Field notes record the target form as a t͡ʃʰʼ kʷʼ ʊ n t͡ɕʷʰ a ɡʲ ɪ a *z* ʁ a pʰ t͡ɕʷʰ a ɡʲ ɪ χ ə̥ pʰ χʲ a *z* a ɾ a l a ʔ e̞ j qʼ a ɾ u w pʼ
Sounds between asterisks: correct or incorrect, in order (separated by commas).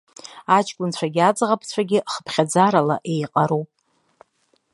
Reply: incorrect, incorrect